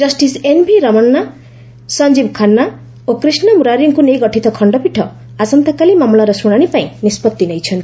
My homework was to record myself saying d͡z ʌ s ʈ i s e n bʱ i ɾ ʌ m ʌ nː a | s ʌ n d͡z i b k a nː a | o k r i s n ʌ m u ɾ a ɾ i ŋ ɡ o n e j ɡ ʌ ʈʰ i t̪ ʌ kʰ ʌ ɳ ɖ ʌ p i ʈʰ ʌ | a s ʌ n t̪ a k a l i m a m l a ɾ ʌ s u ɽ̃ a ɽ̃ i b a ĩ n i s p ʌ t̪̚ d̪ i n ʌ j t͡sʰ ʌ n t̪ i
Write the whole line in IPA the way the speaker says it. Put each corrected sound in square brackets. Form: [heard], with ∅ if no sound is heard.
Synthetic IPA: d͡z ʌ s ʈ i s e n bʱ i ɾ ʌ m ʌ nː a | s ʌ n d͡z i b [kʰ] a nː a | o k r i s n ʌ m u ɾ a ɾ i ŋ [k] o n e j ɡ ʌ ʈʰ i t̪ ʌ kʰ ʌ ɳ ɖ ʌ p i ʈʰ ʌ | a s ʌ n t̪ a k a l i m a m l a ɾ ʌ s u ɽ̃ a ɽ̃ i [p] a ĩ n i s p ʌ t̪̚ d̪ i n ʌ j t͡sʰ ʌ n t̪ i